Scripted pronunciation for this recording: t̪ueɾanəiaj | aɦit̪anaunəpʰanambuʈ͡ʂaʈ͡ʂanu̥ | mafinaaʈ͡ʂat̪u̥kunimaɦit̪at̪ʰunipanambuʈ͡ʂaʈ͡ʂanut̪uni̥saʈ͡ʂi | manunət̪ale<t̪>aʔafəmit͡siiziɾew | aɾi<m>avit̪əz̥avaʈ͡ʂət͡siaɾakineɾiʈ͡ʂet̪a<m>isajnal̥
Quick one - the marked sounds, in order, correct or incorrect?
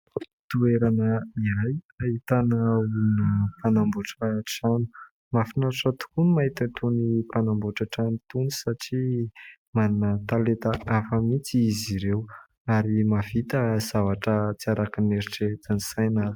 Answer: correct, correct, incorrect: n

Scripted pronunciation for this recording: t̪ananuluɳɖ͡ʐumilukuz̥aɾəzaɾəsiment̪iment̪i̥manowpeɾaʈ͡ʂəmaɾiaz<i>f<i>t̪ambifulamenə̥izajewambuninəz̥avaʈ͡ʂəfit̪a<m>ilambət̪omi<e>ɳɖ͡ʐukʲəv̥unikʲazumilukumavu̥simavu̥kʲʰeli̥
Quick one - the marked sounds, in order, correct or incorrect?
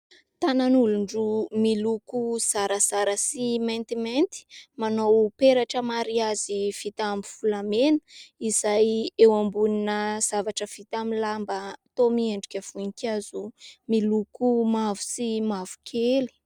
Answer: correct, correct, correct, correct

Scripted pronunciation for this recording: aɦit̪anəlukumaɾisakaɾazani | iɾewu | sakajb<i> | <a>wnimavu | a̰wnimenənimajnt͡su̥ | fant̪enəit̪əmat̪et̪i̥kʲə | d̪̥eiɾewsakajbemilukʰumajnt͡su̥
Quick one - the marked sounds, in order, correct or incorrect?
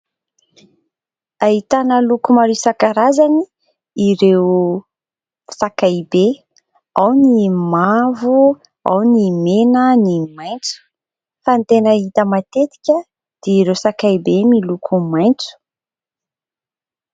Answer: incorrect: e, correct

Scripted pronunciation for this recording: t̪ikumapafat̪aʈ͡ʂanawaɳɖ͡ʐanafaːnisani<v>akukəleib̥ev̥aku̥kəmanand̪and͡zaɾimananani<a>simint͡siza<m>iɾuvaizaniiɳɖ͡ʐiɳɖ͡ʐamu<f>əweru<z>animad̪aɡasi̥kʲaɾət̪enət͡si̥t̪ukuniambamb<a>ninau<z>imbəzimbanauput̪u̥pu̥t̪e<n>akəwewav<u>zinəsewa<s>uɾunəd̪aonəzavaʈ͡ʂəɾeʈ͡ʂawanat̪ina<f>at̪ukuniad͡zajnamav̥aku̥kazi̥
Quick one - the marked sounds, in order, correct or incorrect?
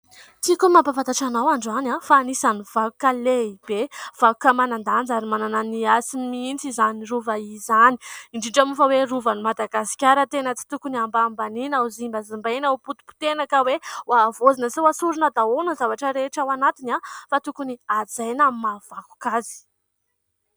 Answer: correct, correct, incorrect: n, correct, incorrect: v, correct, correct, correct, incorrect: o, correct, correct

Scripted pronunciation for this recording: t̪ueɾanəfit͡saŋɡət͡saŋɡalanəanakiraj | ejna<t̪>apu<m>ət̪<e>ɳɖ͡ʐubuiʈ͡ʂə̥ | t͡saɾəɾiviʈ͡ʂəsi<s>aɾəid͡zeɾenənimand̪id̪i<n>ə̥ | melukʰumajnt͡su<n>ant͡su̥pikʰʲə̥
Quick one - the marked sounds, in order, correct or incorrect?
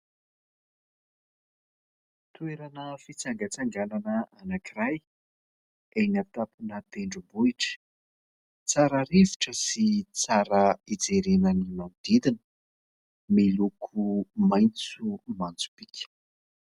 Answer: correct, incorrect: n, correct, incorrect: t͡s, correct, incorrect: m

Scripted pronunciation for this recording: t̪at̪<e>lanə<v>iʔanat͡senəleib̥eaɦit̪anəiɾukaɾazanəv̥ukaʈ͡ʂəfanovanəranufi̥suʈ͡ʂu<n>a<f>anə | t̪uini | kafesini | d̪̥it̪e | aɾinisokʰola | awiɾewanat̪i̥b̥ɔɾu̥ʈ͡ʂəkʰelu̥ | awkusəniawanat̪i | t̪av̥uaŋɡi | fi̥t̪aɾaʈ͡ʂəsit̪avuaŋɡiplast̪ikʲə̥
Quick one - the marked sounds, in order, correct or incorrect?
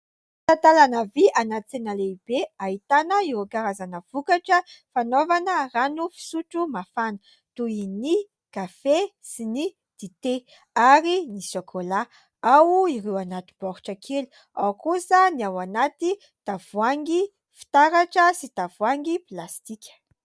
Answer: incorrect: a, correct, incorrect: m, correct

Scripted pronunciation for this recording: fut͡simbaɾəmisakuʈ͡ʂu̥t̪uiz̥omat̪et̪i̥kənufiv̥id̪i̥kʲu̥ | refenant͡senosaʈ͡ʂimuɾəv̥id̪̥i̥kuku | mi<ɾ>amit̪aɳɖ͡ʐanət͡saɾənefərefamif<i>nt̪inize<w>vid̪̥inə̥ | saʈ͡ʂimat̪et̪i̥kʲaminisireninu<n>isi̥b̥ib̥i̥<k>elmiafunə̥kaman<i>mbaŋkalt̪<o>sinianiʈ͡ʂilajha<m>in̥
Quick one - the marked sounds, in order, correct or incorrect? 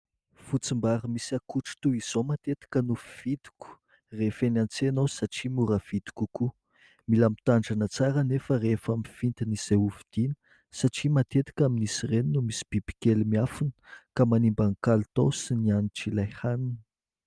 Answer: incorrect: l, correct, incorrect: u, incorrect: m, correct, correct, correct, incorrect: n

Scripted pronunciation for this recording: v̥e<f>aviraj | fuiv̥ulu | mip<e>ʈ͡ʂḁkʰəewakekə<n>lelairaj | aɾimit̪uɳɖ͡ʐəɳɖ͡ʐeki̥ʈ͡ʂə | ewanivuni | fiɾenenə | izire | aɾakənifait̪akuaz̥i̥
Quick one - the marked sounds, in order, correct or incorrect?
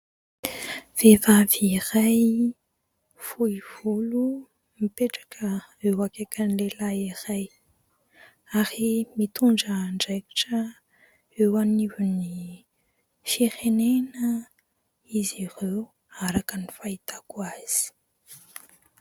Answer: incorrect: v, correct, correct

